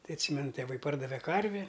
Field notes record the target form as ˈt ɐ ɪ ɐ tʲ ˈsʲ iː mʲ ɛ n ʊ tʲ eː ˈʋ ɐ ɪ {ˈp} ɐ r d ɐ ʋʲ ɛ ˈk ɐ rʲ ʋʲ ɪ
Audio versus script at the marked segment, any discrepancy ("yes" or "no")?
no